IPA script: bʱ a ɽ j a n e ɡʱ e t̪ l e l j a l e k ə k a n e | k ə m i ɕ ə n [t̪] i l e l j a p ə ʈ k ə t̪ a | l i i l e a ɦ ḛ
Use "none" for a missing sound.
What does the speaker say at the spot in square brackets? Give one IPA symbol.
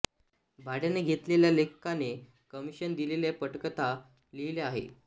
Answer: d̪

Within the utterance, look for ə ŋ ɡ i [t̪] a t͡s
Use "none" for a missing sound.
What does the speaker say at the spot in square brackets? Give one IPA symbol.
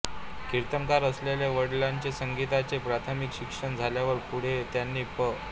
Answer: t̪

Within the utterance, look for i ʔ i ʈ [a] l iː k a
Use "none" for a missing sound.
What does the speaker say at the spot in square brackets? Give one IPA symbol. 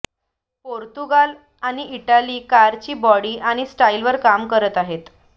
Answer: a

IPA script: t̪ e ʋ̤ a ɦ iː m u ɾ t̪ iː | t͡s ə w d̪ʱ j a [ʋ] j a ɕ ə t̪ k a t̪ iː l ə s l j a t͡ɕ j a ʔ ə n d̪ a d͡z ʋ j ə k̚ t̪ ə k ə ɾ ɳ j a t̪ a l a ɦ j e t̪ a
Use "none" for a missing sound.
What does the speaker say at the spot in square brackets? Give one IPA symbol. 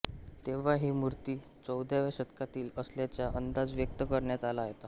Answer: ʋ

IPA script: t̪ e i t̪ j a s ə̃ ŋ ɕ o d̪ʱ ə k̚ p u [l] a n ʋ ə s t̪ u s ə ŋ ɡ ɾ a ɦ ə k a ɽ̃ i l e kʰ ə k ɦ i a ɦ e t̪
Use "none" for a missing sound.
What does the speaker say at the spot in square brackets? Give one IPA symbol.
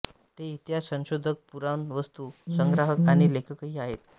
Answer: ɾ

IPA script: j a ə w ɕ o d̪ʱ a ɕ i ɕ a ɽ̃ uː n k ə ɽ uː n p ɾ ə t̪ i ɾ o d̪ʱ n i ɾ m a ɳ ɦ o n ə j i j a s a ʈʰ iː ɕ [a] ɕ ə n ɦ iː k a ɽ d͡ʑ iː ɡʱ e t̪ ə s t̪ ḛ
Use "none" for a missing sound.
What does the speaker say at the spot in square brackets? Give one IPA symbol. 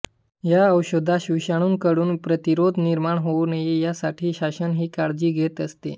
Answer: a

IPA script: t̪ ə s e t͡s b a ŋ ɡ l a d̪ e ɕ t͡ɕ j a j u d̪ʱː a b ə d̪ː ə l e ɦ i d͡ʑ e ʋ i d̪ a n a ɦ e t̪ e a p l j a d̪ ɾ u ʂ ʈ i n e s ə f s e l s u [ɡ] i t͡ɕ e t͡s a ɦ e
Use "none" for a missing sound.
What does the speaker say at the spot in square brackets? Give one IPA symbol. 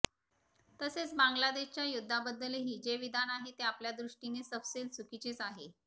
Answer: k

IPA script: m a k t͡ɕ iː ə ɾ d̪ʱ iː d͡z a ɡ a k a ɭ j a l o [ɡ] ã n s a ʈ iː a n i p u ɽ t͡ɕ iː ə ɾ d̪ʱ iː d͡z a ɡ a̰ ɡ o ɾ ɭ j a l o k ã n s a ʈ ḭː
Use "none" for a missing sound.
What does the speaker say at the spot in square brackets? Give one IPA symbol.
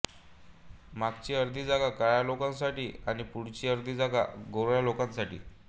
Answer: k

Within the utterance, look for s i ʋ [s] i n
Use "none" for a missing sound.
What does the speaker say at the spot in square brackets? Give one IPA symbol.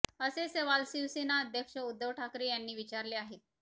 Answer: s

